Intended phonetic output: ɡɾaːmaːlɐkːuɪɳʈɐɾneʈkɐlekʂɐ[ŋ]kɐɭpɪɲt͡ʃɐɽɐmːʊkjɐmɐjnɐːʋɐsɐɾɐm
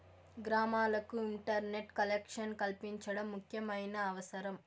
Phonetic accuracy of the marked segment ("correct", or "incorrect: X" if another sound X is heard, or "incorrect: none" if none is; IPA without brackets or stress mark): incorrect: n